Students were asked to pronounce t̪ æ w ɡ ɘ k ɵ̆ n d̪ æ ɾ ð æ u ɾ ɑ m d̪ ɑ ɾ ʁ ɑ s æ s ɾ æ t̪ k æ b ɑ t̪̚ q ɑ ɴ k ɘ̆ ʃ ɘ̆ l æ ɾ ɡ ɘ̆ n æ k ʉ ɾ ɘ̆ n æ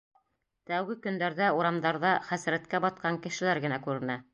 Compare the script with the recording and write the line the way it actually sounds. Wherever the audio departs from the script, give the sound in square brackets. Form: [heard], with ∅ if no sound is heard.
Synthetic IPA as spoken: t̪ æ w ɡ ɘ k ɵ̆ n d̪ æ ɾ ð æ u ɾ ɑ m d̪ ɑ ɾ [ð] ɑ [χ] æ s ɾ æ t̪ k æ b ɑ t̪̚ q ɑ [ŋ] k ɘ̆ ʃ ɘ̆ l æ ɾ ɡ ɘ̆ n æ k ʉ ɾ ɘ̆ n æ